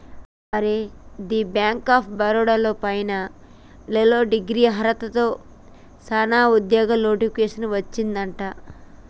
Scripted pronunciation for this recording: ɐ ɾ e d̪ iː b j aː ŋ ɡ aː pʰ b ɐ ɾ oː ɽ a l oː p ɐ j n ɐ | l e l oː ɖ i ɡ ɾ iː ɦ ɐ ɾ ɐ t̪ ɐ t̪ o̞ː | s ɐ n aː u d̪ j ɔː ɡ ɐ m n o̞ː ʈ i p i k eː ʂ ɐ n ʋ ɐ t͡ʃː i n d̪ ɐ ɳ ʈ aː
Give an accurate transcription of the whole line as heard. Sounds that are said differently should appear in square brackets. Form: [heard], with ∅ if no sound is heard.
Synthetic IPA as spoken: ɐ ɾ e d̪ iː b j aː ŋ [k] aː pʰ b ɐ ɾ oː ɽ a l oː p ɐ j n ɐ | l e l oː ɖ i ɡ ɾ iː ɦ ɐ ɾ ɐ t̪ ɐ t̪ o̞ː | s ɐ n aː u d̪ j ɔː ɡ ɐ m n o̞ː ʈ i p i k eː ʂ ɐ n ʋ ɐ t͡ʃː i n d̪ ɐ ɳ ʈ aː